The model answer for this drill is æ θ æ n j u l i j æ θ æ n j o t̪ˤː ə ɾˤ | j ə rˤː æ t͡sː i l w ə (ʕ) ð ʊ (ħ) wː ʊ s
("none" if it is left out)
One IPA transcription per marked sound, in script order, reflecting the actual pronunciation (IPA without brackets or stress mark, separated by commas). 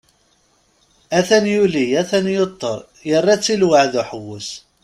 ʕ, ħ